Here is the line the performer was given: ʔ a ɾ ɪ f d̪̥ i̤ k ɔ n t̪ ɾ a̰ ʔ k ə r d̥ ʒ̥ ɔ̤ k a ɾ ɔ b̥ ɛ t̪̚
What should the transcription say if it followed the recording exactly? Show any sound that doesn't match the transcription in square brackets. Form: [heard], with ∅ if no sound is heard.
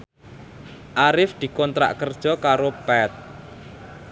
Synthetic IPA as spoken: ʔ a ɾ ɪ f d̪̥ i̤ k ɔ n t̪ ɾ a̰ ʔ k ə r d̥ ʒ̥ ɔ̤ k a ɾ [o] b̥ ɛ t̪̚